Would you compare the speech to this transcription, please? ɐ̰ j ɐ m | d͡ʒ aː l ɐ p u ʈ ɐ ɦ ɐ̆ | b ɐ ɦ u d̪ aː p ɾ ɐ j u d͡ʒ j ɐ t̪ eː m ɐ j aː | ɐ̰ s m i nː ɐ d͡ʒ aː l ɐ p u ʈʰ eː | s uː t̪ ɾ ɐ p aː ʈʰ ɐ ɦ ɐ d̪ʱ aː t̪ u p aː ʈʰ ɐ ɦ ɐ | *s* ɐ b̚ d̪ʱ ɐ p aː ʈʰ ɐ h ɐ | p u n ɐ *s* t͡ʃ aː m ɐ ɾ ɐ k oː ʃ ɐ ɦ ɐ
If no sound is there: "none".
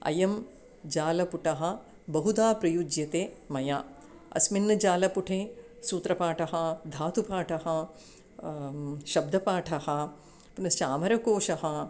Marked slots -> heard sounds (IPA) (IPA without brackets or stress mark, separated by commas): ʃ, s